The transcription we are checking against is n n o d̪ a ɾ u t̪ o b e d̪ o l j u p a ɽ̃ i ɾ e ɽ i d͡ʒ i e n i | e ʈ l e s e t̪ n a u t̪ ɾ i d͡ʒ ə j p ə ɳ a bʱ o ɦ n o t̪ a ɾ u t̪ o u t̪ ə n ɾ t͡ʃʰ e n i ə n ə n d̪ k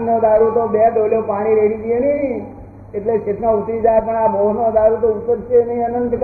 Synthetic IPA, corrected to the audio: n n o d̪ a ɾ u t̪ o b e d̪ o l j o p a ɽ̃ i ɾ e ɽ i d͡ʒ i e n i | e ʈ l e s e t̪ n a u t̪ ɾ i d͡ʒ a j p ə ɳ a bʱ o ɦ n o d̪ a ɾ u t̪ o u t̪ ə ɾ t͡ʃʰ e n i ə n ə n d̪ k